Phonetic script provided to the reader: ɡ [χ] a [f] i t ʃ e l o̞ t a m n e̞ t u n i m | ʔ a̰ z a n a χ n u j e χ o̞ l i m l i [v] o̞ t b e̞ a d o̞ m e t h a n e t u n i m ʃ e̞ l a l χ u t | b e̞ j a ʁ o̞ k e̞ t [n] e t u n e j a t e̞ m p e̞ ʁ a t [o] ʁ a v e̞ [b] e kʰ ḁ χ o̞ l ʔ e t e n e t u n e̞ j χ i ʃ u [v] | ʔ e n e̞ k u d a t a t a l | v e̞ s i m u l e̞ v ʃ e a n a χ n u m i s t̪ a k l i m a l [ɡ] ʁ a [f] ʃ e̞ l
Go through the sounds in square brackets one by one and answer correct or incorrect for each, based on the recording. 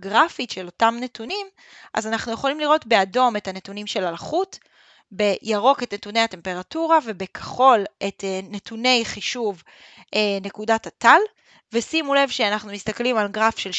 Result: incorrect, correct, incorrect, correct, incorrect, correct, correct, correct, correct

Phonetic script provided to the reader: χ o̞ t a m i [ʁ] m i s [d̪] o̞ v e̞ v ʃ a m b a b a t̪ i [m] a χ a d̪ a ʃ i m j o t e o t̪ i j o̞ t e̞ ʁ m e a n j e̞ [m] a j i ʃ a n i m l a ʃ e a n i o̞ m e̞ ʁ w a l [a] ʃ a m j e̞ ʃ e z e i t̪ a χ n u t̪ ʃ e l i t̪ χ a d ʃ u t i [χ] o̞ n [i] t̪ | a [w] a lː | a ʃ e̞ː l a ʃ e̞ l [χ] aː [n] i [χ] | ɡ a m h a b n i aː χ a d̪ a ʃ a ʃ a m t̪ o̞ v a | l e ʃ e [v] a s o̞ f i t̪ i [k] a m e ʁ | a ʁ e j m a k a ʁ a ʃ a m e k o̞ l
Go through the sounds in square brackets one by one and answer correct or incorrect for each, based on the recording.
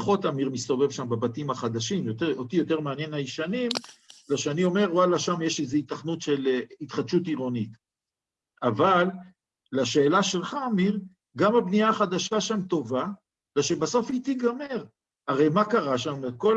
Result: correct, incorrect, correct, incorrect, correct, incorrect, correct, incorrect, correct, incorrect, incorrect, incorrect, incorrect

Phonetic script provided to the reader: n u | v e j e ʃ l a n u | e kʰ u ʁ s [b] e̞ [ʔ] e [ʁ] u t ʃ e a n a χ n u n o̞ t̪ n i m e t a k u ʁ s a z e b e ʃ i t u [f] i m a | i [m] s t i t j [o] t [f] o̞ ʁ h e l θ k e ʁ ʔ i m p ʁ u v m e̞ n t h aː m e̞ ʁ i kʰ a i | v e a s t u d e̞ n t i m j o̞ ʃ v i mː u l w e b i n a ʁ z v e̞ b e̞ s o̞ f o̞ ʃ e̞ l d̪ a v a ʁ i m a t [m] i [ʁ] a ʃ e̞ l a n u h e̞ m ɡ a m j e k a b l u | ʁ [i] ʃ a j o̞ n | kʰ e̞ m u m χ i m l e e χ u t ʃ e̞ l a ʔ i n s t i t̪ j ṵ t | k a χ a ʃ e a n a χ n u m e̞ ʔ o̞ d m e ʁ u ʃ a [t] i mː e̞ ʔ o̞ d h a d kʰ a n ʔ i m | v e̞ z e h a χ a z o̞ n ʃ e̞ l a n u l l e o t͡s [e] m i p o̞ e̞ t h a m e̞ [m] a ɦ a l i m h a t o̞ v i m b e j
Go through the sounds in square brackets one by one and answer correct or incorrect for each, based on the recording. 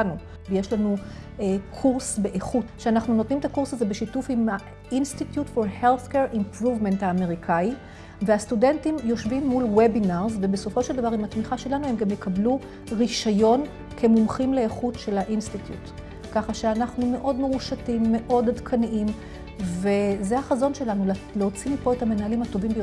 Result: correct, correct, incorrect, correct, incorrect, incorrect, correct, correct, incorrect, correct, correct, incorrect, incorrect

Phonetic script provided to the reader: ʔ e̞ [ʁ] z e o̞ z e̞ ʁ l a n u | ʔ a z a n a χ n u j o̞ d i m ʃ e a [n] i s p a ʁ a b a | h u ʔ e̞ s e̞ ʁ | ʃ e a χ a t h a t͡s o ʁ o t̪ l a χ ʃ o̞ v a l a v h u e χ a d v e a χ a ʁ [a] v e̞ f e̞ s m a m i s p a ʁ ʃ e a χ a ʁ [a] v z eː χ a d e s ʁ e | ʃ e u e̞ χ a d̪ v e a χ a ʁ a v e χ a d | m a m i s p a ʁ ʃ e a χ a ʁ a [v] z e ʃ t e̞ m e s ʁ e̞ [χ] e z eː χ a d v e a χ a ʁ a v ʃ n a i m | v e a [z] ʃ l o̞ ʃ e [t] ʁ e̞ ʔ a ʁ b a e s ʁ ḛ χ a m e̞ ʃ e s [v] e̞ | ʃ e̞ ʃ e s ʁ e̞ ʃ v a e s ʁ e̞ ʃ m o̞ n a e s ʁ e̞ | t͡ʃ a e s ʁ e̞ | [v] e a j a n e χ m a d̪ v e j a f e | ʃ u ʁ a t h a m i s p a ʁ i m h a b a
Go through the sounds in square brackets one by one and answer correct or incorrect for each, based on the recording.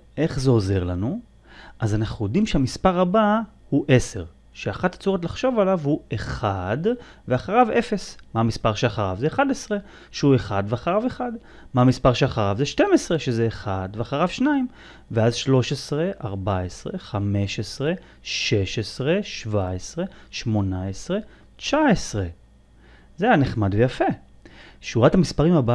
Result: incorrect, incorrect, correct, correct, correct, incorrect, correct, incorrect, incorrect, incorrect

